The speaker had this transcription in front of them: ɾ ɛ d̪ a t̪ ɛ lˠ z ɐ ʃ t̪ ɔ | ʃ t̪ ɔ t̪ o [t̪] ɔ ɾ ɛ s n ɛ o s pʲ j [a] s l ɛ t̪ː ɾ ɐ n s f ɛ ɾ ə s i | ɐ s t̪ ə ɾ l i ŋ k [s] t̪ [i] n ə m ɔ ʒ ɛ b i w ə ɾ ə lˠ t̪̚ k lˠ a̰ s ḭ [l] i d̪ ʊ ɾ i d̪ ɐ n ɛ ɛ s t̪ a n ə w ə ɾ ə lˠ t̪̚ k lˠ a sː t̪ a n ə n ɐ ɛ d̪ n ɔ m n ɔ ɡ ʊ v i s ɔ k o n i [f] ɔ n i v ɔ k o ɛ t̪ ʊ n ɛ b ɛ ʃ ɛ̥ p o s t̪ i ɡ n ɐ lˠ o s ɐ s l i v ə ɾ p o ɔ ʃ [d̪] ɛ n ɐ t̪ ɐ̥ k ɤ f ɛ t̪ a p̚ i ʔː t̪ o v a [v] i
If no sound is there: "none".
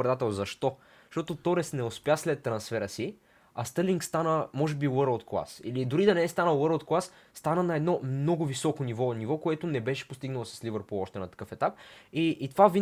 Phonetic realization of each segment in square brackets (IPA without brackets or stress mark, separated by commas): t̪, a, s, a, l, v, t̪, v